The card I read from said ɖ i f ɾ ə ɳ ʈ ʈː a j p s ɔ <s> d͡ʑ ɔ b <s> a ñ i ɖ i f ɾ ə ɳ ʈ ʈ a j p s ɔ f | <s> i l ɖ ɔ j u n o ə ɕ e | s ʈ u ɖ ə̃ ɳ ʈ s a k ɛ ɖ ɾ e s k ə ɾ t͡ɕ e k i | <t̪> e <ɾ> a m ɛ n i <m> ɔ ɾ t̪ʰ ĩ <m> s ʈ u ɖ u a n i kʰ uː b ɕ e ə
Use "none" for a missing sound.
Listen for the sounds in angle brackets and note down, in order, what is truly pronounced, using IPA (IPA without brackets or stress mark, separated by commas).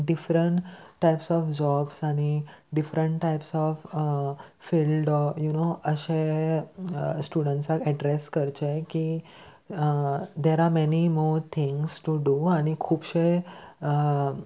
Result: f, s, f, d̪, ɾ, m, ŋ